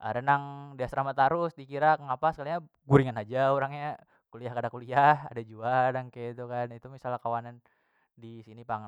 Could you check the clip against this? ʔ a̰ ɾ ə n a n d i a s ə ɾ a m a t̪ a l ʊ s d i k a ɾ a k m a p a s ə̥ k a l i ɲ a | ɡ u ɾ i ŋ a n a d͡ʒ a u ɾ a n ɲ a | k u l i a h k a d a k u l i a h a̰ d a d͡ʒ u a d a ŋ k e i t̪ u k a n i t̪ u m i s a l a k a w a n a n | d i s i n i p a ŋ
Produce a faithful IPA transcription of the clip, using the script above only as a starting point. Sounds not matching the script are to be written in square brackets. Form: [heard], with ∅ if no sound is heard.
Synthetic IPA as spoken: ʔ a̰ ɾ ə n a [ŋ] d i a s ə ɾ a m a t̪ a [ɾ] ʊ s d i k [i] ɾ a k [ŋ] a p a s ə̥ k a l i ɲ a | ɡ u ɾ i ŋ a n a d͡ʒ a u ɾ a [ŋ] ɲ a | k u l i a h k a d a k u l i a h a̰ d a d͡ʒ u a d a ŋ k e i t̪ u k a n i t̪ u m i s a l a k a w a n a n | d i s i n i p a ŋ